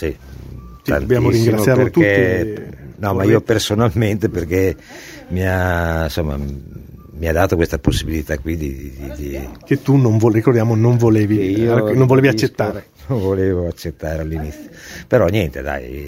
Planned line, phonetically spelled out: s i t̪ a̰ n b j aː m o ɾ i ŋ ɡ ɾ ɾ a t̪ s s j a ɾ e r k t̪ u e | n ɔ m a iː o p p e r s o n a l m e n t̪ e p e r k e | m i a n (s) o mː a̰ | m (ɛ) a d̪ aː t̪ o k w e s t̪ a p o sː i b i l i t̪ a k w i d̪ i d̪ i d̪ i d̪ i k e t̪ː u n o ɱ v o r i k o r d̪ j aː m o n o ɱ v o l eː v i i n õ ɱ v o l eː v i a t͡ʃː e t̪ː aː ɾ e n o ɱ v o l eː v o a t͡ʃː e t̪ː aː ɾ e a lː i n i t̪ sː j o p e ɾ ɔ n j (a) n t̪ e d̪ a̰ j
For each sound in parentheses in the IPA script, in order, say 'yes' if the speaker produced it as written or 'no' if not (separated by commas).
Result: yes, no, no